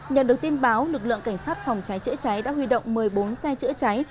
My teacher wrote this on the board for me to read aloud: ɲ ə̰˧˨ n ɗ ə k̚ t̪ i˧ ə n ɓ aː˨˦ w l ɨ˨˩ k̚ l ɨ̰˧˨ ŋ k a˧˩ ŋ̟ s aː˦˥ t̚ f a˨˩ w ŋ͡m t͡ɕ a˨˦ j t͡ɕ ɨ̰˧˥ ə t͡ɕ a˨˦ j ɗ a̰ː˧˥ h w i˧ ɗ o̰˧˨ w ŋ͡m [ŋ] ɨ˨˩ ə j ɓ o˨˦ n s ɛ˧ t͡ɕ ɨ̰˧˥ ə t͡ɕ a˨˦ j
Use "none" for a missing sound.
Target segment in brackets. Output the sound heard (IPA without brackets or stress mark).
m